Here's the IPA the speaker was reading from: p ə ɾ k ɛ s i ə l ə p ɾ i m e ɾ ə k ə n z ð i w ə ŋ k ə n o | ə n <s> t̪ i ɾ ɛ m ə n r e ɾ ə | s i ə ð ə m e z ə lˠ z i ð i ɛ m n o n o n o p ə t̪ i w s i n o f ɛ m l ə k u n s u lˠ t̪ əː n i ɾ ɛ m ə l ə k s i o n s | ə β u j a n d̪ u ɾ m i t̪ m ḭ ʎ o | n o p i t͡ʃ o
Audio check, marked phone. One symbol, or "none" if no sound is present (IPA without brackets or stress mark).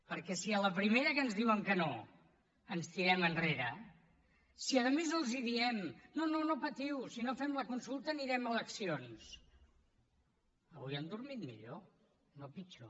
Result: s